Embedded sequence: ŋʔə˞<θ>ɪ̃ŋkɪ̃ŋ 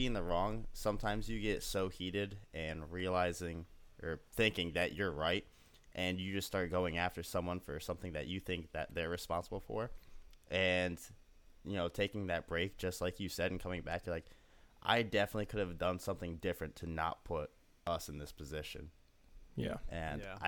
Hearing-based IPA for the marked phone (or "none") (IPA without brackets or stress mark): θ